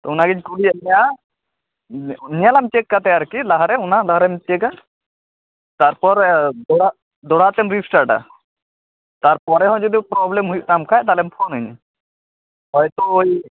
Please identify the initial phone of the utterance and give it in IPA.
t̪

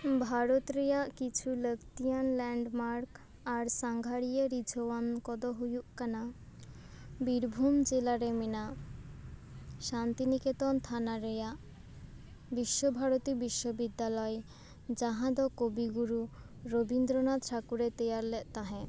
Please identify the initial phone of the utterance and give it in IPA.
bʱ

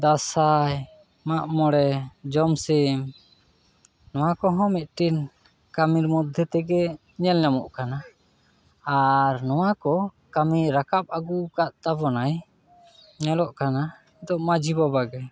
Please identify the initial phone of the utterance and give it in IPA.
d̪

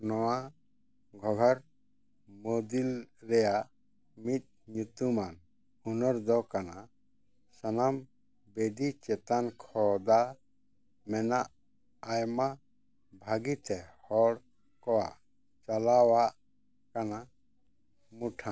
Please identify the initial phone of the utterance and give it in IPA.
n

